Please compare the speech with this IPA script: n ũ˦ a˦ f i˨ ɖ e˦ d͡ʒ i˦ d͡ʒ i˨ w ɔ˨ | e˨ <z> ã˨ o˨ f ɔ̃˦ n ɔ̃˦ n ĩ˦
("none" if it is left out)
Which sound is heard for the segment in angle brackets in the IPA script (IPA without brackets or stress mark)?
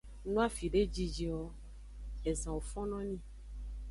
z